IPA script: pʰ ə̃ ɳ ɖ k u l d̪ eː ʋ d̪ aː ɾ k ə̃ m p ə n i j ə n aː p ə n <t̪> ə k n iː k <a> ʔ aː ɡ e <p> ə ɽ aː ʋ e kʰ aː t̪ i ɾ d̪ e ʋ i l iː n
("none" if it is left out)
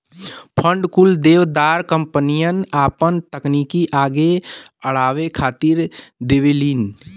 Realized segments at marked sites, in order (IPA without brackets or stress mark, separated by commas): t̪, i, none